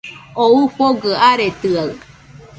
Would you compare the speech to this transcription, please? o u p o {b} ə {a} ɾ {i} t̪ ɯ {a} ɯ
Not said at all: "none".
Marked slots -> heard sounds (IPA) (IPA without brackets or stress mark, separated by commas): ɡ, a, e, a